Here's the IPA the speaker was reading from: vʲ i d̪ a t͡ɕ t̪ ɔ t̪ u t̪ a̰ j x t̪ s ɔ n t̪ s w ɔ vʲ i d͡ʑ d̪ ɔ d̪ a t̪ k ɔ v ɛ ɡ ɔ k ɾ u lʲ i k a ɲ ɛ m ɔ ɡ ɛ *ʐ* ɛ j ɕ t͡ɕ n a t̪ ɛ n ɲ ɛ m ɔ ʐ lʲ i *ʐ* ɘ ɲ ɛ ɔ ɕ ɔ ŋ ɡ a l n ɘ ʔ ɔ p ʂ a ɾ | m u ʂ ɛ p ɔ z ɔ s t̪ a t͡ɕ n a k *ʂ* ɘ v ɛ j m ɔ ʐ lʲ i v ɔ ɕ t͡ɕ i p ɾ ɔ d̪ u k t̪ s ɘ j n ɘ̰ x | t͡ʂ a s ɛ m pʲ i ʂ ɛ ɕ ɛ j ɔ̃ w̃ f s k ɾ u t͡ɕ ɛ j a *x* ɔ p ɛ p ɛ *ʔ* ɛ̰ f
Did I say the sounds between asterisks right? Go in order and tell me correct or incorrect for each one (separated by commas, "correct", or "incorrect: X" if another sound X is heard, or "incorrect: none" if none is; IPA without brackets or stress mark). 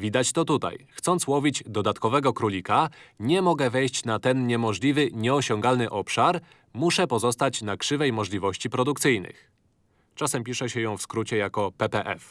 incorrect: v, incorrect: v, correct, incorrect: k, correct